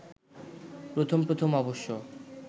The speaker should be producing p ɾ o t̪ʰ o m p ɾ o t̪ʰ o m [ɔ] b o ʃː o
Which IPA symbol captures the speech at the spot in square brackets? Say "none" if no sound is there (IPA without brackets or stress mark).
ɔ